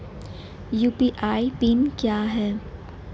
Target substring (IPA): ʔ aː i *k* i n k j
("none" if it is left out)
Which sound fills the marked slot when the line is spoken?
p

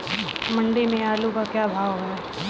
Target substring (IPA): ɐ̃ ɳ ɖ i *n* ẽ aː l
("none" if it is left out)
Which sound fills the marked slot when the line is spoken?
m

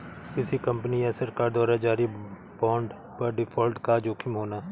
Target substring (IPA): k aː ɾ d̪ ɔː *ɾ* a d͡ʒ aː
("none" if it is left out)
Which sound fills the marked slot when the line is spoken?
ɾ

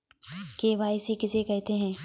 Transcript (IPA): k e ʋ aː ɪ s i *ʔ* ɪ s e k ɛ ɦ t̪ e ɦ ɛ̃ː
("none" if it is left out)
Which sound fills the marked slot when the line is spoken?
k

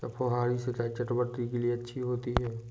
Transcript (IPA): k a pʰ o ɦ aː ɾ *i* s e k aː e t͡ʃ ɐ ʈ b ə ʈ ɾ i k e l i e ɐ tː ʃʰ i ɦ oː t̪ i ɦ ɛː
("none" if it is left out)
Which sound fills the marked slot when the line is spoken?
i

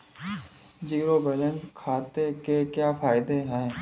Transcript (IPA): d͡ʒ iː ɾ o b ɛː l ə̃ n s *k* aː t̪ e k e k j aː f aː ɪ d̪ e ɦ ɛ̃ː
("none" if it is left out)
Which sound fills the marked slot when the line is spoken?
kʰ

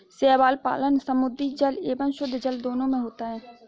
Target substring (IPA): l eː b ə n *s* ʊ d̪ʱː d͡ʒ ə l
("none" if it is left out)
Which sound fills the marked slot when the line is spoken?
ʃ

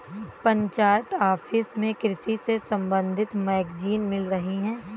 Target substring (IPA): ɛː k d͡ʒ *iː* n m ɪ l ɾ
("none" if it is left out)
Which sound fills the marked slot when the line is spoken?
iː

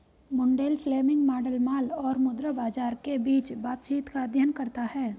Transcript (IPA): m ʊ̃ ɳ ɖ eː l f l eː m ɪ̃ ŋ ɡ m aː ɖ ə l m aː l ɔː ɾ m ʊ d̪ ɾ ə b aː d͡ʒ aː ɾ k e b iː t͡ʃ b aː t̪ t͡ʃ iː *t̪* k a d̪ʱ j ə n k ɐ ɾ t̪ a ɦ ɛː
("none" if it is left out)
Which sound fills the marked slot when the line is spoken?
t̪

